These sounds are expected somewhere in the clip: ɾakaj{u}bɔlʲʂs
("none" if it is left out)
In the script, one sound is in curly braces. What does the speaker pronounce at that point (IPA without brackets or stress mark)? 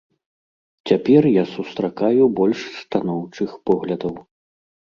u